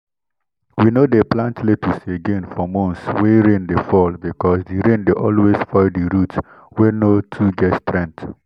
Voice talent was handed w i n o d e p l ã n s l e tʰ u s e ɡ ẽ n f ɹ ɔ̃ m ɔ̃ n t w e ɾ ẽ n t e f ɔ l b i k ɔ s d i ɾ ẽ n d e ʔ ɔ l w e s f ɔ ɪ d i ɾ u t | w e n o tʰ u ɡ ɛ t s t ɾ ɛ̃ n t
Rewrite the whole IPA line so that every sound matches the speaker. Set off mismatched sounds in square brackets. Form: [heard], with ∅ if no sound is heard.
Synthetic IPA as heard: w i n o d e p l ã n [t] l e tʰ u s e ɡ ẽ n f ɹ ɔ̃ m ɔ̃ n [s] w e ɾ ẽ n [d] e f ɔ l b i k ɔ s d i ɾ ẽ n d e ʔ ɔ l w e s f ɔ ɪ d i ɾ u t | w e n o tʰ u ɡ ɛ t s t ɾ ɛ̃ n t